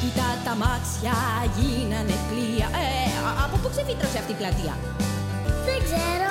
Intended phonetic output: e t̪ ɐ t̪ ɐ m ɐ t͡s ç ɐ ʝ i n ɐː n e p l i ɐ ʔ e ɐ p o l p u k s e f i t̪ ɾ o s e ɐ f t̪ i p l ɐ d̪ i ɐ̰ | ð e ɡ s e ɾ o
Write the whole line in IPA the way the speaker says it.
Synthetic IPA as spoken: i t̪ ɐ t̪ ɐ m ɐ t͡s ç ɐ ʝ i n ɐ n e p l i ɐ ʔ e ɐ p o p u k s e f i t̪ ɾ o s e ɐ f t̪ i p l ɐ t̪ i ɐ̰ | ð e ɡ z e ɾ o